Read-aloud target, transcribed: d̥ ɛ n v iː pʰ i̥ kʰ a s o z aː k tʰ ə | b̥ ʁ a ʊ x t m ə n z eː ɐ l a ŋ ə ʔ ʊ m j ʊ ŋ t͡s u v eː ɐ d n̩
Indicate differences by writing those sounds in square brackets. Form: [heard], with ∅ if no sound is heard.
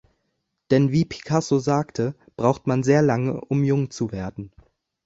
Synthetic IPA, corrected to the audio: d̥ ɛ n v iː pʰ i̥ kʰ a s o z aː k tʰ ə | b̥ ʁ a ʊ x t m [a] n z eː ɐ l a ŋ ə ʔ ʊ m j ʊ ŋ t͡s u v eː ɐ d n̩